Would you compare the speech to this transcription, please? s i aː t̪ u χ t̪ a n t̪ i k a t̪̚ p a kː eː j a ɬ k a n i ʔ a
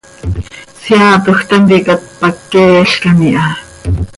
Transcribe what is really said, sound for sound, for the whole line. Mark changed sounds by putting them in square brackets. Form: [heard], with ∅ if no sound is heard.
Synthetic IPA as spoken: s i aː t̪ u [x] t̪ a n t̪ i k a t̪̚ p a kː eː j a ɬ k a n i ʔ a